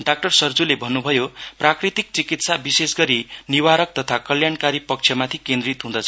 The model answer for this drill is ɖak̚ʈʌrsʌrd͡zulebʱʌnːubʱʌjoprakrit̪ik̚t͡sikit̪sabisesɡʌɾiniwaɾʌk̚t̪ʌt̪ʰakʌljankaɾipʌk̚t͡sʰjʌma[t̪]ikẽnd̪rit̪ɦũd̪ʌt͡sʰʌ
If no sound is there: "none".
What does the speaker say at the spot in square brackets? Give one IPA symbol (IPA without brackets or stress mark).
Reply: t̪ʰ